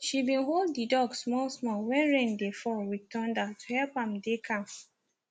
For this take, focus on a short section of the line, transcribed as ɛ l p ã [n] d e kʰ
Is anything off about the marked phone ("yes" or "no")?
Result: yes